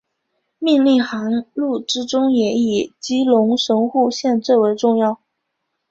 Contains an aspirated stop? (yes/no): no